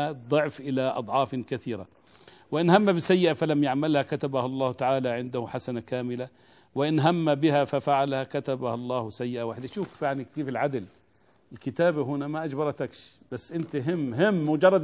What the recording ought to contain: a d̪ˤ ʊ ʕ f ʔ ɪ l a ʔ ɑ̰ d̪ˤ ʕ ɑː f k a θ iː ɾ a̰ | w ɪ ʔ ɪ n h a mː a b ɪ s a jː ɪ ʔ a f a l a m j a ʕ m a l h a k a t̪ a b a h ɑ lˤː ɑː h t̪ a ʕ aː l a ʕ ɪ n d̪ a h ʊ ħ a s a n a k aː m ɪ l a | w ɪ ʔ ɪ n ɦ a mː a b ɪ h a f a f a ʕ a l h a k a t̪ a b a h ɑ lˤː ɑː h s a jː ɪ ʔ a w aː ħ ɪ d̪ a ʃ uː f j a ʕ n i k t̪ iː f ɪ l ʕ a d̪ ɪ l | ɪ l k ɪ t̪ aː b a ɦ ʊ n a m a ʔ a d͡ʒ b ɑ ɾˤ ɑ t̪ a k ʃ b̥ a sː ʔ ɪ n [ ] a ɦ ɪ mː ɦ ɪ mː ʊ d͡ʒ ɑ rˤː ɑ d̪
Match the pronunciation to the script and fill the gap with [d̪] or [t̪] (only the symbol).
t̪